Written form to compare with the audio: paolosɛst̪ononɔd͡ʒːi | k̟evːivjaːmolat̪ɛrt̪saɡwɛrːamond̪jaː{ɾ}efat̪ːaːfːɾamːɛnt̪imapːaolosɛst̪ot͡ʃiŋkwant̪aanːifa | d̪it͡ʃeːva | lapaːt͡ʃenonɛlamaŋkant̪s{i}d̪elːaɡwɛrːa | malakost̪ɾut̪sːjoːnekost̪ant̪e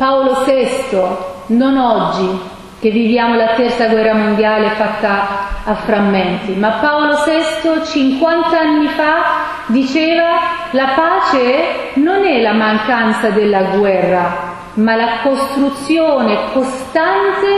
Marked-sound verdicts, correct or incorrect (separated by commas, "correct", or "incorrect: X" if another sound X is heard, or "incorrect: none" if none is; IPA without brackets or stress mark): incorrect: l, incorrect: a